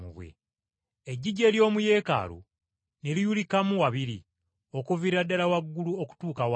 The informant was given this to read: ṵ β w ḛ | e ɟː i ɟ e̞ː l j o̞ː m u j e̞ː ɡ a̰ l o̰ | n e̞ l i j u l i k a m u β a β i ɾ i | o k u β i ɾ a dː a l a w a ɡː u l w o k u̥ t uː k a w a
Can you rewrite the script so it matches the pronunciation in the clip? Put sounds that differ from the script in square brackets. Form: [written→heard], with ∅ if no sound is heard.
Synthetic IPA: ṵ β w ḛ | e ɟː i ɟ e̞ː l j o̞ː m u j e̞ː [ɡ→k] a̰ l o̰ | n e̞ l i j u l i k a m u [β→w] a β i ɾ i | o k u [β→v] i ɾ a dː a l a w a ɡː u l [w→u] o k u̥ t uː k a w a